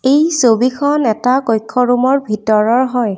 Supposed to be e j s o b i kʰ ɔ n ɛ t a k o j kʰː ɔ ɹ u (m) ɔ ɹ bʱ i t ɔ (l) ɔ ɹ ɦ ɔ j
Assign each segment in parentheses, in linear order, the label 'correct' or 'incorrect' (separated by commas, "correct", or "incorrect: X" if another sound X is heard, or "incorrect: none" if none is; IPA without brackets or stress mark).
correct, incorrect: ɹ